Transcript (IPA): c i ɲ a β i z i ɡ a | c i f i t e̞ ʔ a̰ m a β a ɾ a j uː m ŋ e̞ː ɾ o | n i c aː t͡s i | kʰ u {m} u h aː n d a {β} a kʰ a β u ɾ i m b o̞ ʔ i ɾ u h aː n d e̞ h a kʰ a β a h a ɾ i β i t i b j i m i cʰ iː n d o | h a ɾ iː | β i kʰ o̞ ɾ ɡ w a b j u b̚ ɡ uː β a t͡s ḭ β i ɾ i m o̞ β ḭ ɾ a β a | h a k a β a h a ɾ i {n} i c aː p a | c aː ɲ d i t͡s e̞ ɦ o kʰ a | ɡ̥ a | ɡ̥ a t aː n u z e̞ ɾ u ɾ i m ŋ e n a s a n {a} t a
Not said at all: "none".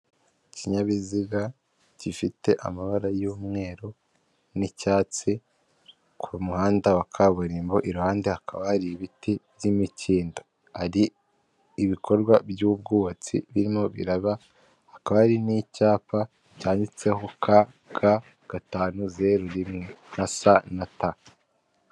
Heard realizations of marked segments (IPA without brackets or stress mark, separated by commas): m, w, n, a